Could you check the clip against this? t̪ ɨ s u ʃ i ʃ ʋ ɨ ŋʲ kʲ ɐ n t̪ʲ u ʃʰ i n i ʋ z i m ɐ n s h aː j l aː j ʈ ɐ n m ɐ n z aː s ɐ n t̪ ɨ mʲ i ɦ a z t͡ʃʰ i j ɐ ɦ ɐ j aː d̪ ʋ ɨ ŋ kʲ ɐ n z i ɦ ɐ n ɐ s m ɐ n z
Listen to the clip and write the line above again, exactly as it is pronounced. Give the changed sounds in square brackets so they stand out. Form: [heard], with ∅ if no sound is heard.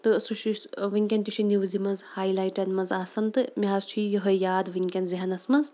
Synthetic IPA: t̪ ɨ s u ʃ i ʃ ʋ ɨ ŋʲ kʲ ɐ n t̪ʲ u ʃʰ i n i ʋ z i m ɐ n [z] h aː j l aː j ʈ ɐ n m ɐ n z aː s ɐ n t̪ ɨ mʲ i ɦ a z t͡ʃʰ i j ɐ ɦ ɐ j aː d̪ ʋ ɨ ŋ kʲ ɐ n z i ɦ ɐ n ɐ s m ɐ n z